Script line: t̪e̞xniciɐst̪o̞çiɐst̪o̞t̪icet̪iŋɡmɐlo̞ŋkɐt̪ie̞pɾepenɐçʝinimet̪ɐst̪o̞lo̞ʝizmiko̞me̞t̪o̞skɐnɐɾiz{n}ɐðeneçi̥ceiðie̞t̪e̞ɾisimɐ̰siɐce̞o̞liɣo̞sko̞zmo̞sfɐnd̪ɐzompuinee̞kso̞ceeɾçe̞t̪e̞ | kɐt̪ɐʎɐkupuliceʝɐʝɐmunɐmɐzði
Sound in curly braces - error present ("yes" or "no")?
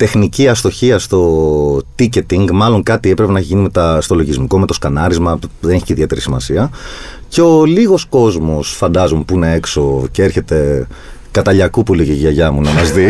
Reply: yes